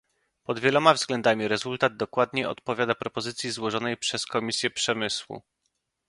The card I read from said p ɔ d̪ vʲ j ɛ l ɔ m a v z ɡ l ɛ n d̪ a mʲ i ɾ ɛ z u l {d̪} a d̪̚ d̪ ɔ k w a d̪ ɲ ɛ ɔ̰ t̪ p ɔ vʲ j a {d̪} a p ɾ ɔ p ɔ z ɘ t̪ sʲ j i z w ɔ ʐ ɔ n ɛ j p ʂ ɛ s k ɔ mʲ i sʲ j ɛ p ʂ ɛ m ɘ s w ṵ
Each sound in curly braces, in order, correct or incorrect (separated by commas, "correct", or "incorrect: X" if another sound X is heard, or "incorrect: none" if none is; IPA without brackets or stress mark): incorrect: t̪, correct